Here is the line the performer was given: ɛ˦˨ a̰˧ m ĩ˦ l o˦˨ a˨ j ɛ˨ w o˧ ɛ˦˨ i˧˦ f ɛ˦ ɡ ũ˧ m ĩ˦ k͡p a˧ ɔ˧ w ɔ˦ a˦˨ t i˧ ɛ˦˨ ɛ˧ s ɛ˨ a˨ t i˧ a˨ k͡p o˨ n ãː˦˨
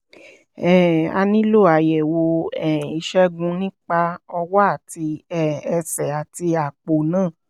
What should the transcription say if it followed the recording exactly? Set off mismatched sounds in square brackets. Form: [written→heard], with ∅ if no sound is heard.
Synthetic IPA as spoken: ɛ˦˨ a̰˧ [m→n] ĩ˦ l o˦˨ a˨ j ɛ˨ w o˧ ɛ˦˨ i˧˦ [f→ʃ] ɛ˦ ɡ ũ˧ [m→n] ĩ˦ k͡p a˧ ɔ˧ w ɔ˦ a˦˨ t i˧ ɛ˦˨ ɛ˧ s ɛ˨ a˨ t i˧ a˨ k͡p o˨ n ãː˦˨